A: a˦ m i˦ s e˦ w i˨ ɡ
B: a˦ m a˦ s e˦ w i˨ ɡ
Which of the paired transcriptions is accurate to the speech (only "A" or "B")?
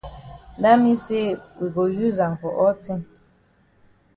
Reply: A